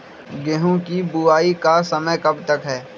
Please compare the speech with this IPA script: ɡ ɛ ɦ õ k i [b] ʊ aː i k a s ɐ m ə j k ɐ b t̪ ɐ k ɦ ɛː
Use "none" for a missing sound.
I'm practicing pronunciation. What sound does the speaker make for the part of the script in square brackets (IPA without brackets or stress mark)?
b